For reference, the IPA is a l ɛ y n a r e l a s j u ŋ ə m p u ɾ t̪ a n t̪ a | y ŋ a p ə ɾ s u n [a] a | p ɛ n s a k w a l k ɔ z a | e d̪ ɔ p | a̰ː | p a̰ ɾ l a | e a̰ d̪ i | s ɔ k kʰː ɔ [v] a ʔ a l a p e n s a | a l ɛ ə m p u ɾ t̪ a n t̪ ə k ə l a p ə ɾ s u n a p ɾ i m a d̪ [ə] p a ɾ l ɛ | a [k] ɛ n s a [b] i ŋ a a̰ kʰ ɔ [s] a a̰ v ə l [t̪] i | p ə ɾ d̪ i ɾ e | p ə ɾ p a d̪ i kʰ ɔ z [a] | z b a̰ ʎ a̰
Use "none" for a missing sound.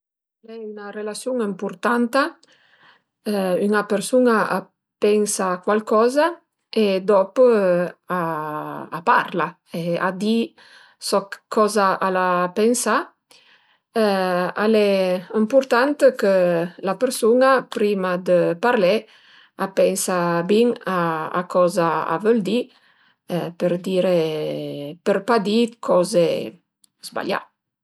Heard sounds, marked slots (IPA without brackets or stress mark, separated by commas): a, z, ə, p, b, z, d̪, e